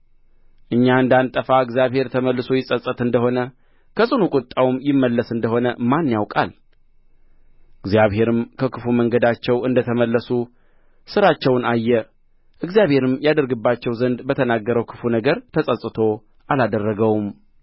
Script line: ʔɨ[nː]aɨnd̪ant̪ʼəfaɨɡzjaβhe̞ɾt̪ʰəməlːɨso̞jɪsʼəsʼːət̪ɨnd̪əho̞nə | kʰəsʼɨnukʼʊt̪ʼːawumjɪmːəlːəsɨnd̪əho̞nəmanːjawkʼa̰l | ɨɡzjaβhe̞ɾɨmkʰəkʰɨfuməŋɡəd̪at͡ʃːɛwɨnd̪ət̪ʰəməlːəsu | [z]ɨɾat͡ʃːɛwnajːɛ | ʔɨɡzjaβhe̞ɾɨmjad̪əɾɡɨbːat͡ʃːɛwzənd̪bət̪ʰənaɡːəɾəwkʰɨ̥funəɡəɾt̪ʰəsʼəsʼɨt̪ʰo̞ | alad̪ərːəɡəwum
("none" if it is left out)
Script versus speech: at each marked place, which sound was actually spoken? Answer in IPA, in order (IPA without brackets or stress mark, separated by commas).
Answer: ɲː, s